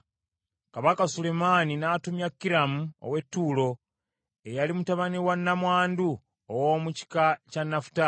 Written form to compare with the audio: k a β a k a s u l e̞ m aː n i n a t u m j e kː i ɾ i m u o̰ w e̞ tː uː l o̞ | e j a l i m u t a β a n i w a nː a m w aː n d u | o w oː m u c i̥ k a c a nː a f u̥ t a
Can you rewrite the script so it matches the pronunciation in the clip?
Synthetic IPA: k a β a k a s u l e̞ m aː n i n a t u m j a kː i ɾ a m u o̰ w e̞ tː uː l o̞ | e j a l i m u t a β a n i w a nː a m w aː n d u | o w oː m u c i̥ k a c a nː a f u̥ t a

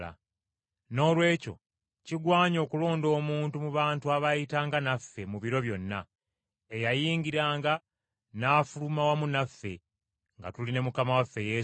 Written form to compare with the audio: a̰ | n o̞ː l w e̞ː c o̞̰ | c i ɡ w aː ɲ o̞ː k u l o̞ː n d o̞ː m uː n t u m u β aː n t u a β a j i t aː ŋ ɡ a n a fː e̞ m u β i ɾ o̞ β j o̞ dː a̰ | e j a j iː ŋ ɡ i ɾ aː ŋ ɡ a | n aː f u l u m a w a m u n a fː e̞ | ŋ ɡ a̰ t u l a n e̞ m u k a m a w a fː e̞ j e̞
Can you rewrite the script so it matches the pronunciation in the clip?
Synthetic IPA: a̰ | n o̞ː l w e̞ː c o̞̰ | c i ɡ w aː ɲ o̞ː k u l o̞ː n d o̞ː m uː n t u m u β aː n t u a β a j i t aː ŋ ɡ a n a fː e̞ m u β i ɾ o̞ β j o̞ nː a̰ | e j a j iː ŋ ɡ i ɾ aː ŋ ɡ a | n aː f u l u m a w a m u n a fː e̞ | ŋ ɡ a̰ t u l i n e̞ m u k a m a w a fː e̞ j e̞

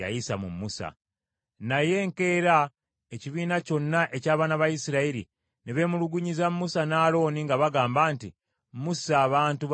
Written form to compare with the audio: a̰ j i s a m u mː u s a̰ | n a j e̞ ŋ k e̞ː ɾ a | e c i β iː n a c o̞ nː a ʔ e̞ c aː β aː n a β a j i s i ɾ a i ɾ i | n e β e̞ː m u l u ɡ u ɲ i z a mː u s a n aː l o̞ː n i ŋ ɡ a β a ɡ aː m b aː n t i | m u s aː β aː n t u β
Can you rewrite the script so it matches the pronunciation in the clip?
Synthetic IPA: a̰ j i s a m u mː u s a̰ | n a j e̞ ŋ k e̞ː ɾ a | e c i β iː n a c o̞ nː a ʔ e̞ c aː β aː n a β a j i s i ɾ a i ɾ i | n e β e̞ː m u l u ɡ u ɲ i z a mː u s a n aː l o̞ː n i ŋ ɡ a β a ɡ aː m b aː n t i | m u s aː β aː n t u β

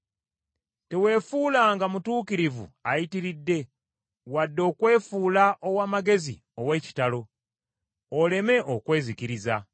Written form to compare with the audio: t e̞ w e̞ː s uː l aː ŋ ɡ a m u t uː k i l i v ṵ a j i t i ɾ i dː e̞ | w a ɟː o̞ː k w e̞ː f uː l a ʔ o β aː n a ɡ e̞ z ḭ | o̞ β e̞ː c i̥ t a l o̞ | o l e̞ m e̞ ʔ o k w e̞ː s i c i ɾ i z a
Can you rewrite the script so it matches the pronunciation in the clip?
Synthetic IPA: t e̞ w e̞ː f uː l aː ŋ ɡ a m u t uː k i ɾ i v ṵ a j i t i ɾ i dː e̞ | w a dː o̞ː k w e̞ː f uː l a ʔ o w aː m a ɡ e̞ z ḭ | o̞ w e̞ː c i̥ t a l o̞ | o l e̞ m e̞ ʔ o k w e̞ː z i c i ɾ i z a

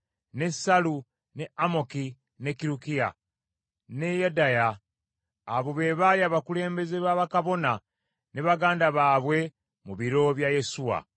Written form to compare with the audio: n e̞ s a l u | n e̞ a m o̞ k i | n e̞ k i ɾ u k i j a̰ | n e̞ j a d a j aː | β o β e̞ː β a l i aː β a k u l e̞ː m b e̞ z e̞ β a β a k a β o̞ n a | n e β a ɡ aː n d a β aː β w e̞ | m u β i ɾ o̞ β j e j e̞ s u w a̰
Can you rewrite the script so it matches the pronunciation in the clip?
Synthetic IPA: n e̞ s a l u | n e̞ a m o̞ k i | n e̞ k i ɾ u k i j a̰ | n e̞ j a d a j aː | β o β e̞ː β a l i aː β a k u l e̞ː m b e̞ z e̞ β a β a k a β o̞ n a | n e β a ɡ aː n d a β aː β w e̞ | m u β i ɾ o̞ β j a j e̞ s u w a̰

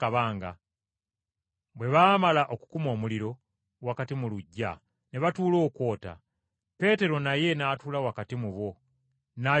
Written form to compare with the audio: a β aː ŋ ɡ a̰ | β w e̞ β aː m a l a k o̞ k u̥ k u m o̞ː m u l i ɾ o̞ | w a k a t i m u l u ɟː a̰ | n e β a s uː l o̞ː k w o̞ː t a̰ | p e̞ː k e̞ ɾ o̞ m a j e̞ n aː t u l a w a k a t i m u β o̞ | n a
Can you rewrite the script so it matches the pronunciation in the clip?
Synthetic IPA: a β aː ŋ ɡ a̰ | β w e̞ β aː m a l a ʔ o̞ k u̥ k u m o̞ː m u l i ɾ o̞ | w a k a t i m u l u ɟː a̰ | n e β a t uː l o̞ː k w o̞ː t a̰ | p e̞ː t e̞ ɾ o̞ n a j e̞ n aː t u l a w a k a t i m u β o̞ | n a

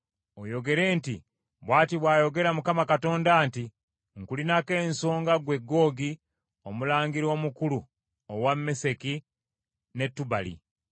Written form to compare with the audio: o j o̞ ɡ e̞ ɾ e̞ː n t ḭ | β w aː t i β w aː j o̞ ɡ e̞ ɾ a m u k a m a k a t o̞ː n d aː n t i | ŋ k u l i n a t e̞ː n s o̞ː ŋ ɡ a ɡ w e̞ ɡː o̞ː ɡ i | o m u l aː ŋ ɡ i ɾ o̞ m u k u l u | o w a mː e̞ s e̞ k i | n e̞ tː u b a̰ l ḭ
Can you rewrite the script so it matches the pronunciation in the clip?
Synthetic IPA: o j o̞ ɡ e̞ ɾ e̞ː n t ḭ | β w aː t i β w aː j o̞ ɡ e̞ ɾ a m u k a m a k a t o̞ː n d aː n t i | ŋ k u l i n a k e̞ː n s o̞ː ŋ ɡ a ɡ w e̞ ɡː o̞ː ɡ i | o m u l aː ŋ ɡ i ɾ o̞ m u k u l u | o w a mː e̞ s e̞ k i | n e̞ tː u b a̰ l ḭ

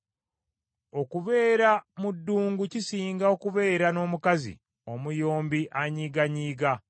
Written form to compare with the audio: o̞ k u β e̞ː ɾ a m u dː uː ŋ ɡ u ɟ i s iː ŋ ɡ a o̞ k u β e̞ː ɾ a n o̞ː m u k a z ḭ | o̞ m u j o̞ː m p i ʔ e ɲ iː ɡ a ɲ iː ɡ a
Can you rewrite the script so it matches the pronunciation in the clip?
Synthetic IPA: o̞ k u β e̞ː ɾ a m u dː uː ŋ ɡ u c i s iː ŋ ɡ a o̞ k u β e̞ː ɾ a n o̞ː m u k a z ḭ | o̞ m u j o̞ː m b i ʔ a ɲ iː ɡ a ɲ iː ɡ a

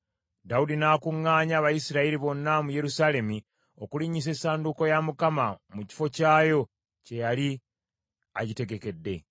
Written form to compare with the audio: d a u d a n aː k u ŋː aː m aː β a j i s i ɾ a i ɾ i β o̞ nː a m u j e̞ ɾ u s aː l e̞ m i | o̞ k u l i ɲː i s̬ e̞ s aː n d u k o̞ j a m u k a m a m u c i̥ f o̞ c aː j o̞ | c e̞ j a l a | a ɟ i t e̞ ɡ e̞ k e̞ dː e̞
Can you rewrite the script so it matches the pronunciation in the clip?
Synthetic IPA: d a u d i n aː k u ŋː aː ɲ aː β a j i s i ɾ a i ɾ i β o̞ nː a m u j e̞ ɾ u s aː l e̞ m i | o̞ k u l i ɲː i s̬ e̞ s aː n d u k o̞ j a m u k a m a m u c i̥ f o̞ c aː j o̞ | c e̞ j a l i | a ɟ i t e̞ ɡ e̞ k e̞ dː e̞

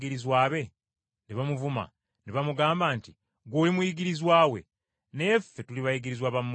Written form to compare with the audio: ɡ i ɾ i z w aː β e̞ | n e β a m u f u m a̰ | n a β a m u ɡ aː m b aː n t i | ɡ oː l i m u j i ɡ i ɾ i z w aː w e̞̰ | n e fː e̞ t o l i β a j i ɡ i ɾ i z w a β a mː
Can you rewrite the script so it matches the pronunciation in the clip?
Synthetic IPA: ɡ i ɾ i z w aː β e̞ | n e β a m u v u m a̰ | n e β a m u ɡ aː m b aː n t i | ɡ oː l i m u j i ɡ i ɾ i z w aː w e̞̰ | n e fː e̞ t u l i β a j i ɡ i ɾ i z w a β a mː

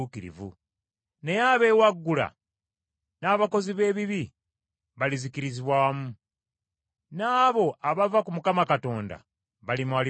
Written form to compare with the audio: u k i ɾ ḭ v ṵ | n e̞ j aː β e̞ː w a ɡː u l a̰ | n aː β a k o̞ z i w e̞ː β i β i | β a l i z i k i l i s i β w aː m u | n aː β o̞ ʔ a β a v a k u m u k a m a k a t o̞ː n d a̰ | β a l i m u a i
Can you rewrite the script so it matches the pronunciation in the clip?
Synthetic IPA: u k i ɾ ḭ v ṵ | n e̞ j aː β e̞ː w a ɡː u l a̰ | n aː β a k o̞ z i β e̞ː β i β i | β a l i z i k i ɾ i z i β w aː m u | n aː β o̞ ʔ a β a v a k u m u k a m a k a t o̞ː n d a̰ | β a l i m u a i

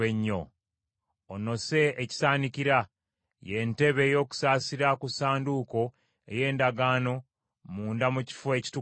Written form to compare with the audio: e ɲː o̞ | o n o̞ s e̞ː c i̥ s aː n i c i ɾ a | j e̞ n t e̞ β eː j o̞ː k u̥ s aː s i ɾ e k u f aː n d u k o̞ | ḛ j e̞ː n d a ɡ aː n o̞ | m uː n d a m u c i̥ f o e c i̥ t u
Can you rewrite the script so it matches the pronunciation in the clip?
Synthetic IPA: e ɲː o̞ | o n o̞ s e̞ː c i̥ s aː n i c i ɾ a | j e̞ n t e̞ β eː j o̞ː k u̥ s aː s i ɾ a k u s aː n d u k o̞ | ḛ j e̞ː n d a ɡ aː n o̞ | m uː n d a m u c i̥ f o e c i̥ t u

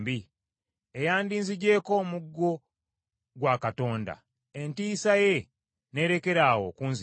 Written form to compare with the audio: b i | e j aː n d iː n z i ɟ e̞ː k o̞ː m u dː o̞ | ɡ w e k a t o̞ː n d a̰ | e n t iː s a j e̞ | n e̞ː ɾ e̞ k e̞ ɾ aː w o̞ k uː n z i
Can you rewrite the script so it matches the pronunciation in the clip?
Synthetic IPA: b i | e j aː n d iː n z i ɟ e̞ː k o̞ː m u ɡː o̞ | ɡ w a k a t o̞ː n d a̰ | e n t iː s a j e̞ | n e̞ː ɾ e̞ k e̞ ɾ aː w o̞ k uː n z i

